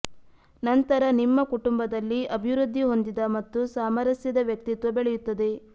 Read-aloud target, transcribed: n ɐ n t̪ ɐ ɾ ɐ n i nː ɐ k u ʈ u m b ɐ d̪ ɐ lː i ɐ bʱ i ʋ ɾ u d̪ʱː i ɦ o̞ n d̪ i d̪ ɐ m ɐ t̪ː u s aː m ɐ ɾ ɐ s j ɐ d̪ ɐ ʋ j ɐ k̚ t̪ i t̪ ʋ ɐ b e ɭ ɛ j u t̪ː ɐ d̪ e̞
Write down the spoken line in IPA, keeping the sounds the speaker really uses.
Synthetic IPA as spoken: n ɐ n t̪ ɐ ɾ ɐ n i mː ɐ k u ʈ u m b ɐ d̪ ɐ lː i ɐ bʱ i ʋ ɾ u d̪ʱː i ɦ o̞ n d̪ i d̪ ɐ m ɐ t̪ː u s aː m ɐ ɾ ɐ s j ɐ d̪ ɐ ʋ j ɐ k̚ t̪ i t̪ ʋ ɐ b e ɭ ɛ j u t̪ː ɐ d̪ e̞